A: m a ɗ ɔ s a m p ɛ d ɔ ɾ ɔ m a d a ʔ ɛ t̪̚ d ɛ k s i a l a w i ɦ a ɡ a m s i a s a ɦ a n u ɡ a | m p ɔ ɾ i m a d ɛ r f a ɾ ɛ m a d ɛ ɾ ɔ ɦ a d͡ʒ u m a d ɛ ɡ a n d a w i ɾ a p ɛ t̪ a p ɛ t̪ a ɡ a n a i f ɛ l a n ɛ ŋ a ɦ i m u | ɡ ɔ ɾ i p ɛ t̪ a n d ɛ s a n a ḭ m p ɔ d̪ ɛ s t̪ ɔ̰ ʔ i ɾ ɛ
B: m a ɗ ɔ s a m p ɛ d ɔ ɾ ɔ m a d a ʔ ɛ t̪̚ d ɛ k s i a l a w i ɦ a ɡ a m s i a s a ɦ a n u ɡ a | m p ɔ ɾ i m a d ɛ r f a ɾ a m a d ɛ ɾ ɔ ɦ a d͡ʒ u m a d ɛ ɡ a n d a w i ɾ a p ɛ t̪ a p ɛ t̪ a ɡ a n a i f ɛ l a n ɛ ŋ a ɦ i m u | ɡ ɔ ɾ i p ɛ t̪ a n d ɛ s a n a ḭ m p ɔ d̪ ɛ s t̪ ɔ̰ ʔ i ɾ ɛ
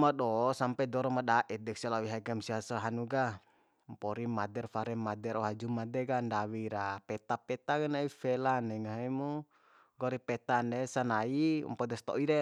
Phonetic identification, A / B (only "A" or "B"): A